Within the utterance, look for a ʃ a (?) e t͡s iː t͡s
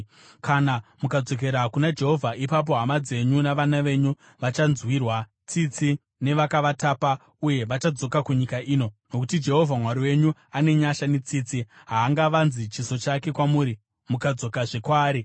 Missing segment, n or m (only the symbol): n